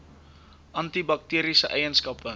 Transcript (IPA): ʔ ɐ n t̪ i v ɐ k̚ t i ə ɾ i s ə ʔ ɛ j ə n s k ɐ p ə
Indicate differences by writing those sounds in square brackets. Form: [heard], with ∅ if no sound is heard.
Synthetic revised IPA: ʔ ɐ n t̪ i [b] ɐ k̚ t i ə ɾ i s ə ʔ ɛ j ə n s k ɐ p ə